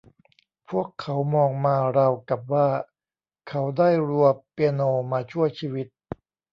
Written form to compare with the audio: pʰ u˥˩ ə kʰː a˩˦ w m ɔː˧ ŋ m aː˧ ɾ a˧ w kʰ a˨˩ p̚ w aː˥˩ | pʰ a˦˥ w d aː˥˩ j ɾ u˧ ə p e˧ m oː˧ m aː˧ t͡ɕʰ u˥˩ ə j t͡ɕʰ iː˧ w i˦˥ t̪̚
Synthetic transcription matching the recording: pʰ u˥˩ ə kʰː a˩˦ w m ɔː˧ ŋ m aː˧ ɾ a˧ w k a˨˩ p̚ w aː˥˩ | kʰ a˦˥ w d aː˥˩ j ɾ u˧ ə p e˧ n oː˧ m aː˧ t͡ɕʰ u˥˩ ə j t͡ɕʰ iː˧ w i˦˥ t̪̚